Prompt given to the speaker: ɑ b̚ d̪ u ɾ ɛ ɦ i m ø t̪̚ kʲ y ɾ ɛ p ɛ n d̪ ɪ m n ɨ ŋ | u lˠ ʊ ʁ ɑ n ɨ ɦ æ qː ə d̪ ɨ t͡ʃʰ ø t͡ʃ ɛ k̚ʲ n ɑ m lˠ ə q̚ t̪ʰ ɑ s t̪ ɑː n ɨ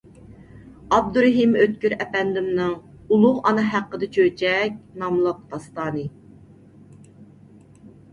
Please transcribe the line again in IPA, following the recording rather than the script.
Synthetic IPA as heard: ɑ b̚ d̪ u ɾ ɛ ɦ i m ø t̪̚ kʲ y ɾ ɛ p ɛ n d̪ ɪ m n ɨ ŋ | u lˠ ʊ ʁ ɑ n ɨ ɦ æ qː ə d̪ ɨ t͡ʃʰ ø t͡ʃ ɛ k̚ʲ n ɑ m lˠ ə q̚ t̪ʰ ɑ s t̪ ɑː n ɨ

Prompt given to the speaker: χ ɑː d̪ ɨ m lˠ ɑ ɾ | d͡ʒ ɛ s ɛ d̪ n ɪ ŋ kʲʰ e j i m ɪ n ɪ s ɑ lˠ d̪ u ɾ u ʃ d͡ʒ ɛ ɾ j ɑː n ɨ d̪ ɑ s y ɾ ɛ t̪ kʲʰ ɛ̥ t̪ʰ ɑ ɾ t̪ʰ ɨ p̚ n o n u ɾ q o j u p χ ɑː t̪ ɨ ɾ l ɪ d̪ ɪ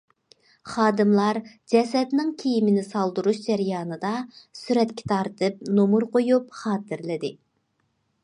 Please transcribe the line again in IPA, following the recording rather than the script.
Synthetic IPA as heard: χ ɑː d̪ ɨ m lˠ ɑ ɾ | d͡ʒ ɛ s ɛ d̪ n ɪ ŋ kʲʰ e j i m ɪ n ɪ s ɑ lˠ d̪ u ɾ u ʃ d͡ʒ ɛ ɾ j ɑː n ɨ d̪ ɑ s y ɾ ɛ t̪ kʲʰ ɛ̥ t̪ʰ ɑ ɾ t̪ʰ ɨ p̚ n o m u ɾ q o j u p χ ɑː t̪ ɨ ɾ l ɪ d̪ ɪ

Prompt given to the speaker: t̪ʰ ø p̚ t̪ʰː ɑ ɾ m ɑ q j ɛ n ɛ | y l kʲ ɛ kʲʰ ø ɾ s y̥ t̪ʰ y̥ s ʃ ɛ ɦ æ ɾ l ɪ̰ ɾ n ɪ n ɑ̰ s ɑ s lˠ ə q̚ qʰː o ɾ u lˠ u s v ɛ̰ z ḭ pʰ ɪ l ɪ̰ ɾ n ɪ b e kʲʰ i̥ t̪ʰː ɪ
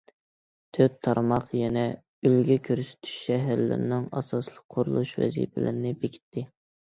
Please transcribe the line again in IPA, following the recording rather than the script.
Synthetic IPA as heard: t̪ʰ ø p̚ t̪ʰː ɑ ɾ m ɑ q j ɛ n ɛ | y l ɡʲ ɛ kʲʰ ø ɾ s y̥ t̪ʰ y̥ ʃ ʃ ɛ ɦ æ ɾ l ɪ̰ ɾ n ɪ ŋ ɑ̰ s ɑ s lˠ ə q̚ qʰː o ɾ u lˠ u ʃ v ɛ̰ z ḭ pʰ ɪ l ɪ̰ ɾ n ɪ b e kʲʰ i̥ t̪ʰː ɪ

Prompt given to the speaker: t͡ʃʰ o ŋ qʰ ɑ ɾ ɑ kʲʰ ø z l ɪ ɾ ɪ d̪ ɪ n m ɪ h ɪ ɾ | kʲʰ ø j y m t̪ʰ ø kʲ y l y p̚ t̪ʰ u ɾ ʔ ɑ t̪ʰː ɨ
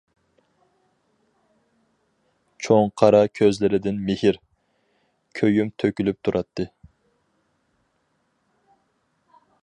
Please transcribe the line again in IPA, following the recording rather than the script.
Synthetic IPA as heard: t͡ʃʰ o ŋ qʰ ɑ ɾ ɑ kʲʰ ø z l ɪ ɾ ɪ d̪ ɪ n m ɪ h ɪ ɾ | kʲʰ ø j y m t̪ʰ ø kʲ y l y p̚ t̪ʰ u ɾ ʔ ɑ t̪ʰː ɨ

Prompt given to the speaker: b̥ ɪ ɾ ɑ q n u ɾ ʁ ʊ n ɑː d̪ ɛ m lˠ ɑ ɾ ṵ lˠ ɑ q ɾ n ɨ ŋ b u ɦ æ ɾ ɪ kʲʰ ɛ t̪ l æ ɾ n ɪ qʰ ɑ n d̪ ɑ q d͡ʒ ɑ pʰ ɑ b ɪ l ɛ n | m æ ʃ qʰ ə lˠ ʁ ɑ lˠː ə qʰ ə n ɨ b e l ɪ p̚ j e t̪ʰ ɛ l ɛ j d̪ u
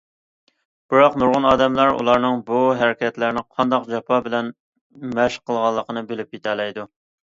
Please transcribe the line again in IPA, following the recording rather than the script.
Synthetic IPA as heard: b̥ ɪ ɾ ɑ q n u ɾ ʁ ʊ n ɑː d̪ ɛ m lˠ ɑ ɾ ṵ lˠ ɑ ɾ n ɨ ŋ b u ɦ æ ɾ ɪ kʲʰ ɛ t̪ l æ ɾ n ɪ qʰ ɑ n d̪ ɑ q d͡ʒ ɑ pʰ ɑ b ɪ l ɛ n | m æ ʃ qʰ ə lˠ ʁ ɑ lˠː ə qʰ ə n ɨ b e l ɪ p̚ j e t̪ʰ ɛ l ɛ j d̪ u

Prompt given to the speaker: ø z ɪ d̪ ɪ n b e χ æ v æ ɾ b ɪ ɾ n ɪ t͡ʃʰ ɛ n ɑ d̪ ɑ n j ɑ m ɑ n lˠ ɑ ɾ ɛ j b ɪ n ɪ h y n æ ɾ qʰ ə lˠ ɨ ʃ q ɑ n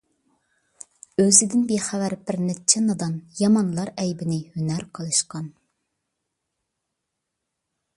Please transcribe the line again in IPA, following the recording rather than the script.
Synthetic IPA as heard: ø z ɪ d̪ ɪ n b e χ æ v æ ɾ b ɪ ɾ n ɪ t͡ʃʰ ɛ n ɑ d̪ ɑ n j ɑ m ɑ n lˠ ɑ ɾ ɛ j b ɪ n ɪ h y n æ ɾ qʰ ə lˠ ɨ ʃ q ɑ n

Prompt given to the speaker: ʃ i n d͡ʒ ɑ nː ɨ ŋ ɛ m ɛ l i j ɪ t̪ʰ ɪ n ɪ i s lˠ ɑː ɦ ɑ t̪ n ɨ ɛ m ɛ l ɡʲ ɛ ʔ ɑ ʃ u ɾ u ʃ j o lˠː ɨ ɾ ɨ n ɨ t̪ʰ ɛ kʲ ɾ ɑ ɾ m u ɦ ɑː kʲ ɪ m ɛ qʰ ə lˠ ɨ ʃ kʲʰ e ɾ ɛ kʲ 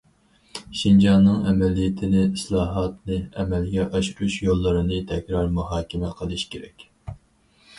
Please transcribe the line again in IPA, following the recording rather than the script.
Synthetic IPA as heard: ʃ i n d͡ʒ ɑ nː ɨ ŋ ɛ m ɛ l i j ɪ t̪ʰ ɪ n ɪ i s lˠ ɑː ɦ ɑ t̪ n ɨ ɛ m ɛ l ɡʲ ɛ ʔ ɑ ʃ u ɾ u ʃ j o lˠː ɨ ɾ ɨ n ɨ t̪ʰ ɛ kʲ ɾ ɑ ɾ m u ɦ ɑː kʲ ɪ m ɛ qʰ ə lˠ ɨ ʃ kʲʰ e ɾ ɛ kʲ

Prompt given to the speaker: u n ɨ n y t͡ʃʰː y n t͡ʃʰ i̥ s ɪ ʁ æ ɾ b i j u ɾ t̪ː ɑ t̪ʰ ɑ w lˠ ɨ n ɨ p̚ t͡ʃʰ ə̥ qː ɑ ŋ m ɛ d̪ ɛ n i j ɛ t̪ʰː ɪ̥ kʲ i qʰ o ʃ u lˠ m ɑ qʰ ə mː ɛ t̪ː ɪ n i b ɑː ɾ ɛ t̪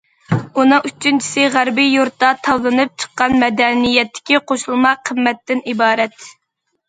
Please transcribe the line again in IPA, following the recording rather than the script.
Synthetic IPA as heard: u n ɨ ŋ y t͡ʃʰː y n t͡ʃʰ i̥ s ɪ ʁ æ ɾ b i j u ɾ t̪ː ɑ t̪ʰ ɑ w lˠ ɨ n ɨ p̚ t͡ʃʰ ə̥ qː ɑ n m ɛ d̪ ɛ n i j ɛ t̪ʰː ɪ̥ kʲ i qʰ o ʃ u lˠ m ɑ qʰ ə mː ɛ t̪ː ɪ n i b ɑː ɾ ɛ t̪

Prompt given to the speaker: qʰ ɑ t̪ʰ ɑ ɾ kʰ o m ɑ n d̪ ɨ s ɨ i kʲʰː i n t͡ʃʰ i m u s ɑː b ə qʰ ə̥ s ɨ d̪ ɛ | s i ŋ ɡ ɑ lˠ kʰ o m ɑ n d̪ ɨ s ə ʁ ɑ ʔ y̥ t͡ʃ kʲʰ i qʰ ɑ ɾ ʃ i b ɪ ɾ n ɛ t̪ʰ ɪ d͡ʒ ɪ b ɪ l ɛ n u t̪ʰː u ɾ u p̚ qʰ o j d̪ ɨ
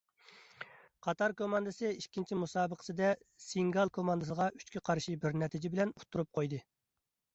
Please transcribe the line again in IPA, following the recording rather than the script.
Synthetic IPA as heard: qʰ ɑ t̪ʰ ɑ ɾ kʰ o m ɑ n d̪ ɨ s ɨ i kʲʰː i n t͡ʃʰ i m u s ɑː b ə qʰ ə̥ s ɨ d̪ ɛ | s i ŋ ɡ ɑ lˠ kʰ o m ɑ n d̪ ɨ s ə ʁ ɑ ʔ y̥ t͡ʃ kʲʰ i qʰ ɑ ɾ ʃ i b ɪ ɾ n ɛ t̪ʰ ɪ d͡ʒ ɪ b ɪ l ɛ n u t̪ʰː u ɾ u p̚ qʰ o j d̪ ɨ

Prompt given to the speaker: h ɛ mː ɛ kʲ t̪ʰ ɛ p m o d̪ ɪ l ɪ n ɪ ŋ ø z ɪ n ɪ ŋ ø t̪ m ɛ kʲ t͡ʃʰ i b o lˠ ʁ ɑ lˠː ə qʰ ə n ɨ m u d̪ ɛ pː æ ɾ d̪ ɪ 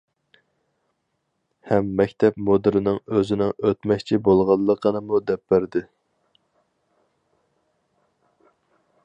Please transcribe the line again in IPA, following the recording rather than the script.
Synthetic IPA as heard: h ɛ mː ɛ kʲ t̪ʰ ɛ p m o d̪ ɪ ɾ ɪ n ɪ ŋ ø z ɪ n ɪ ŋ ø t̪ m ɛ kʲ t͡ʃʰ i b o lˠ ʁ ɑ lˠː ə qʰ ə n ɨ m u d̪ ɛ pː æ ɾ d̪ ɪ

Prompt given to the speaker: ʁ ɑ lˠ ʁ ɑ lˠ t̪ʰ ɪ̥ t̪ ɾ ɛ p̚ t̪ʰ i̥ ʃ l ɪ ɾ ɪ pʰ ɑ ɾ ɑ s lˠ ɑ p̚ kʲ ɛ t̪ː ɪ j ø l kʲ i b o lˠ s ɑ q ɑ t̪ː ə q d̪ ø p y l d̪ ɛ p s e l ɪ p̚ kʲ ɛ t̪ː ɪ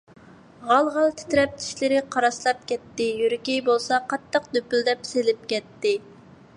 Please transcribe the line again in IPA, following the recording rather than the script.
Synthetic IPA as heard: ʁ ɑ lˠ ʁ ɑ lˠ t̪ʰ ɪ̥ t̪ ɾ ɛ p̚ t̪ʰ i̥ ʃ l ɪ ɾ ɪ qʰ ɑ ɾ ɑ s lˠ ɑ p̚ kʲ ɛ t̪ː ɪ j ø ɾ kʲ i b o lˠ s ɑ q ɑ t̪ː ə q d̪ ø p y l d̪ ɛ p s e l ɪ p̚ kʲ ɛ t̪ː ɪ

